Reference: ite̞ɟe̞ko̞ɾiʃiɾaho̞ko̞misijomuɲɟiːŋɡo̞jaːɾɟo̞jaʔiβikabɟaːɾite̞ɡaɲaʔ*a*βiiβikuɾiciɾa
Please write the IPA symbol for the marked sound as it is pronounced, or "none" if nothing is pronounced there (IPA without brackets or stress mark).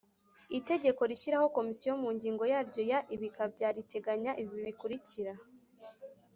i